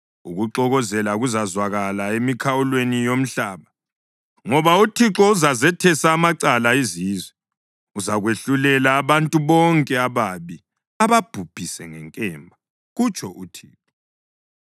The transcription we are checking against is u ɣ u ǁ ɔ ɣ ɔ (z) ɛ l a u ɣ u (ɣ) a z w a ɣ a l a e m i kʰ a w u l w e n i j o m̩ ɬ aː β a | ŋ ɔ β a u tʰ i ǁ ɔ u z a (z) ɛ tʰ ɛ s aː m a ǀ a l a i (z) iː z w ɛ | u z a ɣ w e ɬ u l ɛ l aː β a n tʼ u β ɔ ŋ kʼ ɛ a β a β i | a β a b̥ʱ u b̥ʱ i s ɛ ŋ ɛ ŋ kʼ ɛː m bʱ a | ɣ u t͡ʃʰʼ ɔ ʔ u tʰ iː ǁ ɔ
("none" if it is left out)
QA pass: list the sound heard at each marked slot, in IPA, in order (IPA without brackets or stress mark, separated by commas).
z, z, z, z